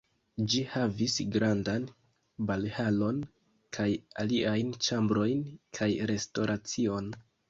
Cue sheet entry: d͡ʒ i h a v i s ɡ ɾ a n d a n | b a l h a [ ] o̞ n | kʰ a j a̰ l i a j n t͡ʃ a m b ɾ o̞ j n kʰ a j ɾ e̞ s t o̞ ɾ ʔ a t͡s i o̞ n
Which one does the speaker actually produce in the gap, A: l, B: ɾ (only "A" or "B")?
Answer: A